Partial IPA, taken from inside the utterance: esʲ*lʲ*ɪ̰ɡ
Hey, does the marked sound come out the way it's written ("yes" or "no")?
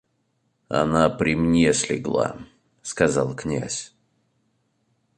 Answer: yes